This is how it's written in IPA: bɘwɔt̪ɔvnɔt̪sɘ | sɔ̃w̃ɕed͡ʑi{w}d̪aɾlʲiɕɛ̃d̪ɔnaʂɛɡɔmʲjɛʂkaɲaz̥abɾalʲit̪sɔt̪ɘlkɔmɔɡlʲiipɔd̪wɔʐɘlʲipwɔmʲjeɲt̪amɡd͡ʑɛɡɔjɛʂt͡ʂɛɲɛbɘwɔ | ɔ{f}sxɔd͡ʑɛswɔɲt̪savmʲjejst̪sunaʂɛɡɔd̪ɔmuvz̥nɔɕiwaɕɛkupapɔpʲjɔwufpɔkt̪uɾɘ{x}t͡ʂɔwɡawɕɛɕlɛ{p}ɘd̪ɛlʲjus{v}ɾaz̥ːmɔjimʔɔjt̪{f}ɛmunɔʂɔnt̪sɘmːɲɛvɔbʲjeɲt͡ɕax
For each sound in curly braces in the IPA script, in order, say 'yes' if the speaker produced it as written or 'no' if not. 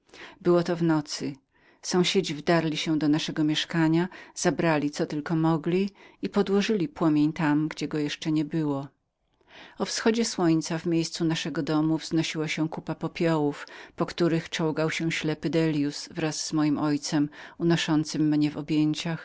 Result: no, yes, yes, yes, yes, no

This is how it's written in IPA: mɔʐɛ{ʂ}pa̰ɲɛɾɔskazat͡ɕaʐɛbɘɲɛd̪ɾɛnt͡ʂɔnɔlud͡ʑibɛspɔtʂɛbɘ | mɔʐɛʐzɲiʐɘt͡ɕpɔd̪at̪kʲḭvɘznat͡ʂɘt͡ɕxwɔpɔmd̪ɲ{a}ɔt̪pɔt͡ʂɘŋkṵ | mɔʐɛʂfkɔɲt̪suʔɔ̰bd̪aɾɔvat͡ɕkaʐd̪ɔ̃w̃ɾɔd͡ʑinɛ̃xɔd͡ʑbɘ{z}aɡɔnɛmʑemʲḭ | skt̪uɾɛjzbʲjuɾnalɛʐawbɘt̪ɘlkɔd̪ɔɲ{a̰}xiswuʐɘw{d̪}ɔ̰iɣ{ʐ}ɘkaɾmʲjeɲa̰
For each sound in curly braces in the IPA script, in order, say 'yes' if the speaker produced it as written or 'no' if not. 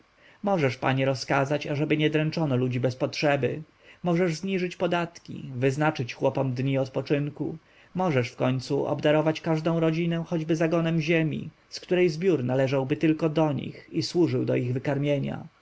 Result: yes, no, yes, no, yes, no

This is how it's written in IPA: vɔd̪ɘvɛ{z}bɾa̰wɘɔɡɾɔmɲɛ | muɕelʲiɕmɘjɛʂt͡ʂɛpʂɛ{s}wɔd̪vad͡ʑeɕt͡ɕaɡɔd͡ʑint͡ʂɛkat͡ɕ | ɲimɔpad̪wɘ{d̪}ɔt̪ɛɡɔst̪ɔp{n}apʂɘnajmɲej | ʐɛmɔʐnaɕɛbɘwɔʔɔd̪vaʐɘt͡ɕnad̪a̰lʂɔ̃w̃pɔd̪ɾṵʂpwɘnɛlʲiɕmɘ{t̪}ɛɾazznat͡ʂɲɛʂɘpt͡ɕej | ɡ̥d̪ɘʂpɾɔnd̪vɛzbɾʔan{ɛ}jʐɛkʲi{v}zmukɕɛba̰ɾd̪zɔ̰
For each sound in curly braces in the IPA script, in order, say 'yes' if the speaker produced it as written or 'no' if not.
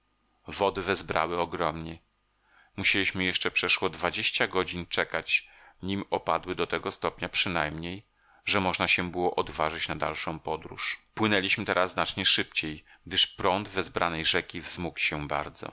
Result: yes, no, yes, no, yes, yes, yes

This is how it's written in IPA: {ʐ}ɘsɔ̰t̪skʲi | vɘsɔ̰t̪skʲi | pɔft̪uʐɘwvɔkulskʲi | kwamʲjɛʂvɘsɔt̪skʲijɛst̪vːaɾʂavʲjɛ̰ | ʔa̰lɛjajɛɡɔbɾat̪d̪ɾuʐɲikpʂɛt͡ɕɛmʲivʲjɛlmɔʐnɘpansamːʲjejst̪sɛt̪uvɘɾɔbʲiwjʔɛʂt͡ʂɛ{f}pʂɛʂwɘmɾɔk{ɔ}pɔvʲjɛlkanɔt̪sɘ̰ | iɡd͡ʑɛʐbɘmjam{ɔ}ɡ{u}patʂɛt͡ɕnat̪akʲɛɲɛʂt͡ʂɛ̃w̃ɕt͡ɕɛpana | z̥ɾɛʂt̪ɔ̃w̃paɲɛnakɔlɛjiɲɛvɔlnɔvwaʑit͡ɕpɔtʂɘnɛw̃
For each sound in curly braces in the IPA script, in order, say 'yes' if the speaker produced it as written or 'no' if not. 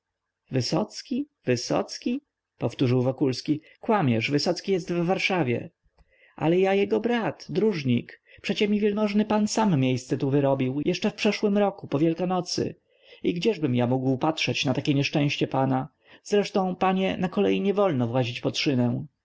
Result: no, yes, no, no, no

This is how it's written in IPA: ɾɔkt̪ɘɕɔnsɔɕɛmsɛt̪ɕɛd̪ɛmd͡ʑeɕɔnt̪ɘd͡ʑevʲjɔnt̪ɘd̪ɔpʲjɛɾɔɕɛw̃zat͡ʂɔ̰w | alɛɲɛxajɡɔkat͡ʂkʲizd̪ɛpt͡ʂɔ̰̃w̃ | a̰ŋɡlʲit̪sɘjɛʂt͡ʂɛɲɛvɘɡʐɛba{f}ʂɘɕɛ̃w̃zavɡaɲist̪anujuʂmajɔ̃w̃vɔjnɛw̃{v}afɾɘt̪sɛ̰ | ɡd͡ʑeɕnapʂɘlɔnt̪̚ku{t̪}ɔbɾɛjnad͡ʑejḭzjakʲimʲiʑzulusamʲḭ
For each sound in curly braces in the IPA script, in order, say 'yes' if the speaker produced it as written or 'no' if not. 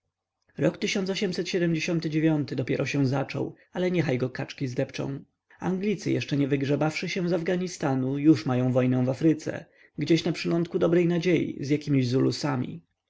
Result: yes, yes, no

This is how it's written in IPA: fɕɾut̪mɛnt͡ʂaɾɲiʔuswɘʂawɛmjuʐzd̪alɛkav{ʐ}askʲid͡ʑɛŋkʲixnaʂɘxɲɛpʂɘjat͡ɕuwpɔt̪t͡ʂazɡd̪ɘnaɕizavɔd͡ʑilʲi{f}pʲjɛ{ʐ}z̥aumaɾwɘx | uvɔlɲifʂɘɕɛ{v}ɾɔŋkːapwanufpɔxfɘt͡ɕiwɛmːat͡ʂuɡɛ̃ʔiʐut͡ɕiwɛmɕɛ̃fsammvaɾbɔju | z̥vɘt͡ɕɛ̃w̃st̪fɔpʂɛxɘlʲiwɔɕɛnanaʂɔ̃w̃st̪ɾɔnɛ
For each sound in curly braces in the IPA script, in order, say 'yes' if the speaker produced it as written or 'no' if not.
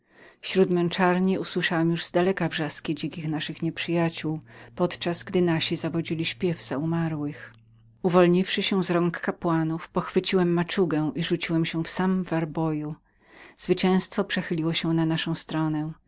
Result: yes, no, no, no

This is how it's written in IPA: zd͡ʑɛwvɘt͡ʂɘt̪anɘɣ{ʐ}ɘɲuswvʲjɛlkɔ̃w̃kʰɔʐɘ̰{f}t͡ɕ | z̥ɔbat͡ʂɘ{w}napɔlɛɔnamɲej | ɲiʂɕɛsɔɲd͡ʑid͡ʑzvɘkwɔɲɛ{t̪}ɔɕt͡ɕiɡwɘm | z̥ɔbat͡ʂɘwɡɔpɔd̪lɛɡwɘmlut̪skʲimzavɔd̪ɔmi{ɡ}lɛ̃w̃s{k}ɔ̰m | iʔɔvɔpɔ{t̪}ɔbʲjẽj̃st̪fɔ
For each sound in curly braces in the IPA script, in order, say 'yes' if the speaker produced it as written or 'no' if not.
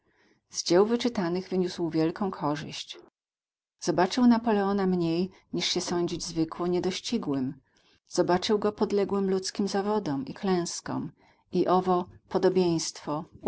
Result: no, no, yes, no, no, yes, no

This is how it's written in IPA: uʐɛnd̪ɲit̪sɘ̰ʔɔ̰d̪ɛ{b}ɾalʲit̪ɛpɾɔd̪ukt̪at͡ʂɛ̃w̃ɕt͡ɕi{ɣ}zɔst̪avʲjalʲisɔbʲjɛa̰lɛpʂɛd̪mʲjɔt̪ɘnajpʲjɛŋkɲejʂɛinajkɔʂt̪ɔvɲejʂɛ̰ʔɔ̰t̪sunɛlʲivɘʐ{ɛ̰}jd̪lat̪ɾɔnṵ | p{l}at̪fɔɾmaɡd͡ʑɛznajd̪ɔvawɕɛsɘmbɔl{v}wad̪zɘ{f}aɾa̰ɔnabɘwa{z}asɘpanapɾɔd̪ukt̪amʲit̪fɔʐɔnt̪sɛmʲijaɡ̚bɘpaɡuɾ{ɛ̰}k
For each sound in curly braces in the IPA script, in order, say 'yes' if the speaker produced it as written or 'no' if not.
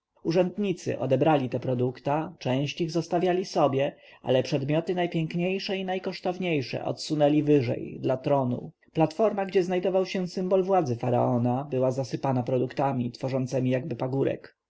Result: yes, yes, yes, yes, yes, yes, yes, yes

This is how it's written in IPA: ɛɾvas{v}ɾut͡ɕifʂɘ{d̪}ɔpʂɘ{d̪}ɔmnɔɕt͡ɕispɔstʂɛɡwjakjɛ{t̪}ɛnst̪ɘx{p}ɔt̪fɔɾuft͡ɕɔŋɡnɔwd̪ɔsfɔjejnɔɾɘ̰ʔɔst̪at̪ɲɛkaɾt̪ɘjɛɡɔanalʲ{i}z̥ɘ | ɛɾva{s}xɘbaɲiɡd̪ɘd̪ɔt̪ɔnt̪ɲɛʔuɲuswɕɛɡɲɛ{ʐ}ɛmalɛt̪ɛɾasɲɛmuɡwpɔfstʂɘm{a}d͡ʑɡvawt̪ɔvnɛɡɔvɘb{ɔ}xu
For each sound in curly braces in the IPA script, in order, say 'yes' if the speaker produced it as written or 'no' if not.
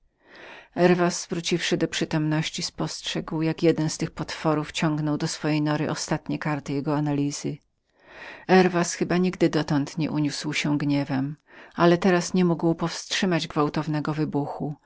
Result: yes, yes, no, no, yes, yes, yes, no, yes, no

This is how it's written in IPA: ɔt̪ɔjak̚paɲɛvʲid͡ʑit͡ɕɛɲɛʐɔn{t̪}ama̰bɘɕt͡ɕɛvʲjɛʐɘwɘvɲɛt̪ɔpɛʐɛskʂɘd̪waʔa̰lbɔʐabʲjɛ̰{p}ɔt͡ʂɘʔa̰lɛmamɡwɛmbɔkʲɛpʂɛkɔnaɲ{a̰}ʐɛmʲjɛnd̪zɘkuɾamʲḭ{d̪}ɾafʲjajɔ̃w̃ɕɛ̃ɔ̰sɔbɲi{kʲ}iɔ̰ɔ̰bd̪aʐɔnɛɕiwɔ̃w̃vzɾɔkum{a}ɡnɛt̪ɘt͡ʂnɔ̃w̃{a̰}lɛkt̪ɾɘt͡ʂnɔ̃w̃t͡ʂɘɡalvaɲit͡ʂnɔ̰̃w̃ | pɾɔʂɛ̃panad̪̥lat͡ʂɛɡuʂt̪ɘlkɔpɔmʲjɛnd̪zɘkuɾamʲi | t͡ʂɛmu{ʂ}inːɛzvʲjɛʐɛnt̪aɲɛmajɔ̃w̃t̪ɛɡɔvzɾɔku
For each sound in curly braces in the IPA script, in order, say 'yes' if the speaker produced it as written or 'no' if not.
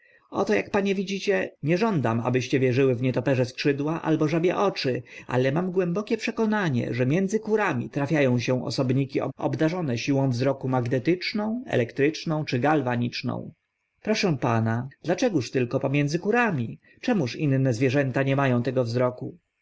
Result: no, no, no, no, yes, yes, no, yes

